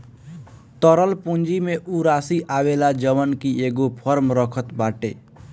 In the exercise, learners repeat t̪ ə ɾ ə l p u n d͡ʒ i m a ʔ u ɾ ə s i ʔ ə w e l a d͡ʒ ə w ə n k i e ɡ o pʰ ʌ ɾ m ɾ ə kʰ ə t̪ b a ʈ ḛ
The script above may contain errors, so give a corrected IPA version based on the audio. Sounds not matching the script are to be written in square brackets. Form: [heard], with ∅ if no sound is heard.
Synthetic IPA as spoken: t̪ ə ɾ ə l p u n d͡ʒ i m [e] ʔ u ɾ [a] s i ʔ [a] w e l a d͡ʒ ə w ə n k i e ɡ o pʰ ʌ ɾ m ɾ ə kʰ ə t̪ b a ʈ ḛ